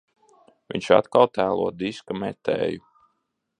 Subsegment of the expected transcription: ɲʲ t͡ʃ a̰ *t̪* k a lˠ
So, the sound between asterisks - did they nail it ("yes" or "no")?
yes